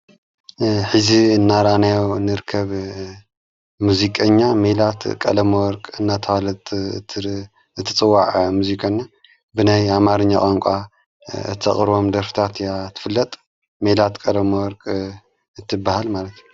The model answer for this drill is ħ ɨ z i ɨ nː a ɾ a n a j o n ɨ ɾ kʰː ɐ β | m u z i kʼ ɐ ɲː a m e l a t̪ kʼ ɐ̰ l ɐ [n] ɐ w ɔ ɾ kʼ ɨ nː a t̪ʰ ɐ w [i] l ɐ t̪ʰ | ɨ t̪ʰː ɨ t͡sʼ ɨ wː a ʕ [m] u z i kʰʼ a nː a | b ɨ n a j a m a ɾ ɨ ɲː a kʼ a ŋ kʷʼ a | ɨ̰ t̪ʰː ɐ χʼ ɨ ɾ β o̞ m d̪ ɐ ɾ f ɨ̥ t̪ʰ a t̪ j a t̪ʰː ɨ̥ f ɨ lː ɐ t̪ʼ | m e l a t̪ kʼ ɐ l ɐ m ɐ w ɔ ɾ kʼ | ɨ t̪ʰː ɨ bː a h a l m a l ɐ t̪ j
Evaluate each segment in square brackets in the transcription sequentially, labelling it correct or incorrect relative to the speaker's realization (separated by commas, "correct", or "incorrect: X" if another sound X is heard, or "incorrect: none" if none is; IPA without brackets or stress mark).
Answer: incorrect: m, incorrect: a, correct